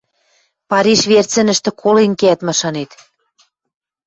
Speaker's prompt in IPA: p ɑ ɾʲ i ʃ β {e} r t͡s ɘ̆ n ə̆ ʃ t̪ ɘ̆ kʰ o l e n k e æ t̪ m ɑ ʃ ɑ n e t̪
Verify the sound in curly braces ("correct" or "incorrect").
correct